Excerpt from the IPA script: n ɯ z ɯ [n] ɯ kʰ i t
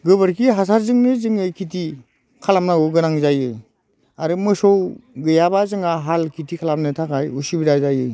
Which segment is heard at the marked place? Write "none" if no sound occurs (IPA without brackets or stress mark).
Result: ŋ